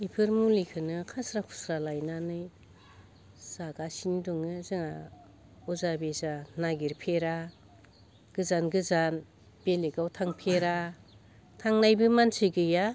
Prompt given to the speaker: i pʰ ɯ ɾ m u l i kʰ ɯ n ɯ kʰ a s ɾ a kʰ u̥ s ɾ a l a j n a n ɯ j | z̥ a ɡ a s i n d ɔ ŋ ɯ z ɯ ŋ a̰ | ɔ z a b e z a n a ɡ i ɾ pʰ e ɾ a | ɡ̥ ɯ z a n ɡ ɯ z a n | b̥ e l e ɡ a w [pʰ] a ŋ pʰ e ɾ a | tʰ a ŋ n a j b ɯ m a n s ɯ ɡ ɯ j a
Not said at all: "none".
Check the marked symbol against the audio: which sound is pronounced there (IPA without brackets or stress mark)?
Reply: tʰ